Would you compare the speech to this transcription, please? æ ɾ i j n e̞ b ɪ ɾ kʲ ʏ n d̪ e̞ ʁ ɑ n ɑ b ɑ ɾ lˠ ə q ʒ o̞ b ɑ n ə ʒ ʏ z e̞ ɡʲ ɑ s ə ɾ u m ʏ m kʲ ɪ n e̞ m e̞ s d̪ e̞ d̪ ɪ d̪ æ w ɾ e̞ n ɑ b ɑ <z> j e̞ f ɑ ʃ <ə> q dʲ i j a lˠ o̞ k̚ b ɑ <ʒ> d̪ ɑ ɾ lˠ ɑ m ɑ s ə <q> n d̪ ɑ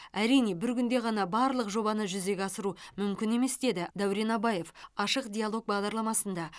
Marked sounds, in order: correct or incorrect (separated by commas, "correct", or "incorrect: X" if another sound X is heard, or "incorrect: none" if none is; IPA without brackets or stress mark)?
incorrect: none, correct, incorrect: ʁ, incorrect: none